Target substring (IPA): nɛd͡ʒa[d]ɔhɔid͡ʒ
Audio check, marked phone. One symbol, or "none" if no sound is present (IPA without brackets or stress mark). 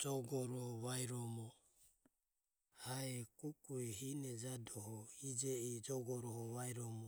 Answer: d